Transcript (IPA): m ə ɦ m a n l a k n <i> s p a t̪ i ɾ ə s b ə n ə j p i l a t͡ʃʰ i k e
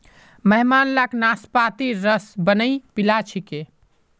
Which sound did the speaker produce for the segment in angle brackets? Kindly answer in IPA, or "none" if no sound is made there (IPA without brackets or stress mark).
a